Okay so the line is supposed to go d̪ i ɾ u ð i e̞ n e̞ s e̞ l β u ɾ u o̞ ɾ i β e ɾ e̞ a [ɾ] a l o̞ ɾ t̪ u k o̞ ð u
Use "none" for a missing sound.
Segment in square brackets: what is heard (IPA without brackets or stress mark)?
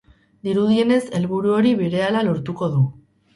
l